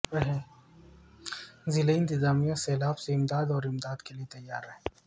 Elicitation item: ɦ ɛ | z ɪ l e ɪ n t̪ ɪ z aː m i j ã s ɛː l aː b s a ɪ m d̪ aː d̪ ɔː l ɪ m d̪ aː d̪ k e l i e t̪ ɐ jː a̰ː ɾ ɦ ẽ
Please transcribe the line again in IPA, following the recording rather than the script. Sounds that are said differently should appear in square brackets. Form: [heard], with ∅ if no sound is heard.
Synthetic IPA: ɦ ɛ | z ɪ l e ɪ n t̪ ɪ z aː m i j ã s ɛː l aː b s [e] ɪ m d̪ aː d̪ ɔː [ɾ] ɪ m d̪ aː d̪ k e l i e t̪ ɐ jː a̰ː ɾ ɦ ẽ